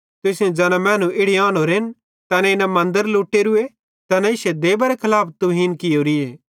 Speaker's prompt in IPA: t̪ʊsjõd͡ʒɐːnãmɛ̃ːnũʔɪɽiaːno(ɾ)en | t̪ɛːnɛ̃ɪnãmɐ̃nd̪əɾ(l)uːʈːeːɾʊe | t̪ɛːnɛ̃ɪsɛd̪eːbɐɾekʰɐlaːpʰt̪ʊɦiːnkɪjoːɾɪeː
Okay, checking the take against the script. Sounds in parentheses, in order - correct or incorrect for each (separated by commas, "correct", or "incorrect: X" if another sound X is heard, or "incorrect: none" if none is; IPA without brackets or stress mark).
correct, correct